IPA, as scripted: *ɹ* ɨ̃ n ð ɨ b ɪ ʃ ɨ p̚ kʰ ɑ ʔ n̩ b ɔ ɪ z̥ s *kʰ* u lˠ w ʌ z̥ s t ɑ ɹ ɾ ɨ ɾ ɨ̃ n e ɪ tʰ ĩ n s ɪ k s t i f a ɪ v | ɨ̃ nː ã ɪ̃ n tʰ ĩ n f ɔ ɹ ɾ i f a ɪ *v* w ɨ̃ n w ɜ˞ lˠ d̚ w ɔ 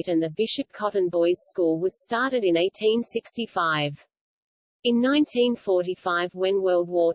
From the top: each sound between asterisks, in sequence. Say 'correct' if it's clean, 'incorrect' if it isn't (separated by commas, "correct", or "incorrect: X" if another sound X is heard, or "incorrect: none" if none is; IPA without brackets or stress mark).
incorrect: ɾ, incorrect: k, correct